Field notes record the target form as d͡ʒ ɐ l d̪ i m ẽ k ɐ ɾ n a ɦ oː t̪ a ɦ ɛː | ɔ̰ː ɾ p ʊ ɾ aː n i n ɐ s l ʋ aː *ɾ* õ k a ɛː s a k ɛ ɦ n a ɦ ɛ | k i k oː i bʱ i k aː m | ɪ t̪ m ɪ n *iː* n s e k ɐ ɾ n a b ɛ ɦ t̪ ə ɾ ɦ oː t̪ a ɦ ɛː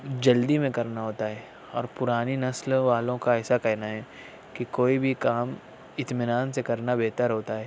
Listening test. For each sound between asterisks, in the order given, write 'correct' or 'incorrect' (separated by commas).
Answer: incorrect, incorrect